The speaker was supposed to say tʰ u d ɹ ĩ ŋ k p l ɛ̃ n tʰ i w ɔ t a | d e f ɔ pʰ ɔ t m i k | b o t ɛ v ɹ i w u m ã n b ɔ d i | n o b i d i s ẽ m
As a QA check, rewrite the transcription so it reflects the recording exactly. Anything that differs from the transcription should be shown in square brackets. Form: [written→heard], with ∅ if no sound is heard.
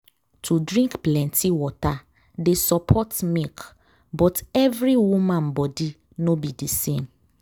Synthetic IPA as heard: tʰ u d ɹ ĩ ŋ k p l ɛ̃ n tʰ i w ɔ t a | d e [f→s] ɔ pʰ ɔ t m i k | b [o→ɔ] t ɛ v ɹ i w u m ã n b ɔ d i | n o b i d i s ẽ m